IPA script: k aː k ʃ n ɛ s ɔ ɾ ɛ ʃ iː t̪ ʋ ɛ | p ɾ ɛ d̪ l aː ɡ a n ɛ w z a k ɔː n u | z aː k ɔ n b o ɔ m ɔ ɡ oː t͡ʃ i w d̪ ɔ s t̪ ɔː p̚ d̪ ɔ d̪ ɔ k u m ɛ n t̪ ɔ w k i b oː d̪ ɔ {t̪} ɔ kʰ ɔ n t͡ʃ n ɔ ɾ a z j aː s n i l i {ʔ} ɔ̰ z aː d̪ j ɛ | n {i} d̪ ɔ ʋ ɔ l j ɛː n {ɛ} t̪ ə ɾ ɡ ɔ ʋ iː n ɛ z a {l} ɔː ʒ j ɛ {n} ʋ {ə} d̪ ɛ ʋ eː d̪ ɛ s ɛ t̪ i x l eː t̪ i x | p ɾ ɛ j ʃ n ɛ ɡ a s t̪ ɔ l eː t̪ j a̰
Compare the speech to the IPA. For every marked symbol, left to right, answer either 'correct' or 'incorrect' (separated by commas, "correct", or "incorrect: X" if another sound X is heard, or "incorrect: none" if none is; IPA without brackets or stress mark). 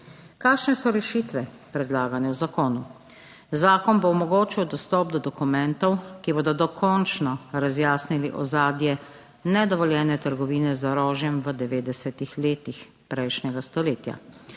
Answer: incorrect: d̪, correct, incorrect: ɛ, correct, incorrect: ɾ, incorrect: m, correct